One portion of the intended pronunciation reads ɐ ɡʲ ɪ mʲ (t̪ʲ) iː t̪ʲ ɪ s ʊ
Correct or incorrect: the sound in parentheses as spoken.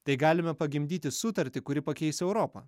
incorrect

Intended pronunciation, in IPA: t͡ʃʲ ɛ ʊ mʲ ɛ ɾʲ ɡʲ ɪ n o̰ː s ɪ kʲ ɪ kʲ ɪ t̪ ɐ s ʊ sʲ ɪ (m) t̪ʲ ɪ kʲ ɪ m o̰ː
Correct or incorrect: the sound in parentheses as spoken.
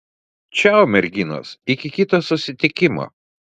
incorrect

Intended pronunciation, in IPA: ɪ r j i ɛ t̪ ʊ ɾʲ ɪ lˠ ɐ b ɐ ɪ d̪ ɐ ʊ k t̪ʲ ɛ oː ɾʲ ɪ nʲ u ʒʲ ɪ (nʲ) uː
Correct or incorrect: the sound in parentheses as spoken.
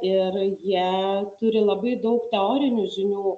correct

